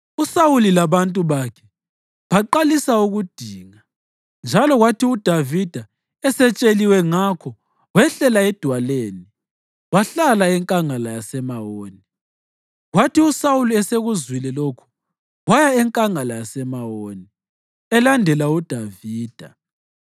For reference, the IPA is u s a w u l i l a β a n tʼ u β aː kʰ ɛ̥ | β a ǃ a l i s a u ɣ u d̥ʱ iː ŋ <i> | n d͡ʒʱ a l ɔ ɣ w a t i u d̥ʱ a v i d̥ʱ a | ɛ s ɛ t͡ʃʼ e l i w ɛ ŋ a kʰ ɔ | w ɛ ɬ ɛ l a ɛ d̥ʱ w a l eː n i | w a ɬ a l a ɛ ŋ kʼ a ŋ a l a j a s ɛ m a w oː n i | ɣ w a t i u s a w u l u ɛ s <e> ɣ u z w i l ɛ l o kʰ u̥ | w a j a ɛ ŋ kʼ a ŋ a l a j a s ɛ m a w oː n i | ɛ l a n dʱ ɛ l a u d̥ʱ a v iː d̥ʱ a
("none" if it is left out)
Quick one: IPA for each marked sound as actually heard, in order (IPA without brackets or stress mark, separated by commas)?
a, e